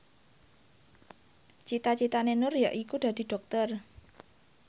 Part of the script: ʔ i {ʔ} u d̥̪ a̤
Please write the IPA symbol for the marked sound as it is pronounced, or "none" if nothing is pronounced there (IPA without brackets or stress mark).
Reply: k